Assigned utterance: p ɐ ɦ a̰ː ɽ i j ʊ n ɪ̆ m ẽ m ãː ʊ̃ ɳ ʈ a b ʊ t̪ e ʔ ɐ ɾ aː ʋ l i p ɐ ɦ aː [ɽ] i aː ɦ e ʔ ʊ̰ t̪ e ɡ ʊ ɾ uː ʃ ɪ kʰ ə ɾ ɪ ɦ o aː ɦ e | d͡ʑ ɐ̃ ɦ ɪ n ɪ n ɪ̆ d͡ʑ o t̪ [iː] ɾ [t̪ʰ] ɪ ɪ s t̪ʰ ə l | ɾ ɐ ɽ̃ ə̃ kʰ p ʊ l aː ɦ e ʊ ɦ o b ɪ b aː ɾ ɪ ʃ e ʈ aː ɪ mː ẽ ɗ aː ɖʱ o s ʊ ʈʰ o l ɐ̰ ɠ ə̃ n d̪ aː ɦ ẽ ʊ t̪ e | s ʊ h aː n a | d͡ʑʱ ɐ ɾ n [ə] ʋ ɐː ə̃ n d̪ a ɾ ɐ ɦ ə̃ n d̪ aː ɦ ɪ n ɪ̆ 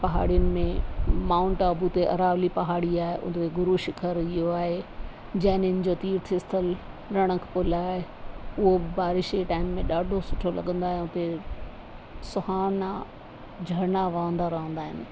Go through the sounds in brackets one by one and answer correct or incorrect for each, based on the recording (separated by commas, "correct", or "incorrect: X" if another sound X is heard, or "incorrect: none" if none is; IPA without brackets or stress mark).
correct, correct, correct, incorrect: a